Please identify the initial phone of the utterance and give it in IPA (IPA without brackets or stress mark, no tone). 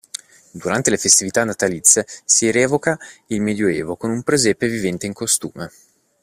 d̪